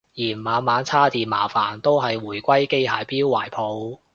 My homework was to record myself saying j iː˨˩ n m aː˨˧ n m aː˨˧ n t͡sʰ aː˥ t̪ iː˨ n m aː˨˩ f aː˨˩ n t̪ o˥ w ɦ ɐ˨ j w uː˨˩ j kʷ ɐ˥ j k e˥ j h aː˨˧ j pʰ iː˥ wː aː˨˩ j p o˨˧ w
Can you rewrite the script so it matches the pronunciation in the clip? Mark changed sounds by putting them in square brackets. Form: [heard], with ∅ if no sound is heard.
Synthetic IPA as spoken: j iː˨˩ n m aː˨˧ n m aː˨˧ n t͡sʰ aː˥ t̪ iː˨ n m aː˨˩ f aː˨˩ n t̪ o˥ w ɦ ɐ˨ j w uː˨˩ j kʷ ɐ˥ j k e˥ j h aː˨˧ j [p] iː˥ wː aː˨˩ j [pʰ] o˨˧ w